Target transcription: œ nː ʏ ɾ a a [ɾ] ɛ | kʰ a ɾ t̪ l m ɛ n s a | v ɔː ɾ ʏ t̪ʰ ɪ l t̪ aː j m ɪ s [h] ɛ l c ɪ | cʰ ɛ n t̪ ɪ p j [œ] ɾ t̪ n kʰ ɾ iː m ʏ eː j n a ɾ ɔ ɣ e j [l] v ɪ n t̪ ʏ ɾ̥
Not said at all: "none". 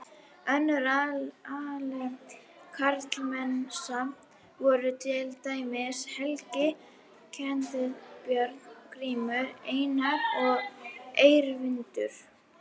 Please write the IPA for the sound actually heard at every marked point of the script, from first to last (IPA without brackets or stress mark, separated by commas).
l, h, œ, ɾ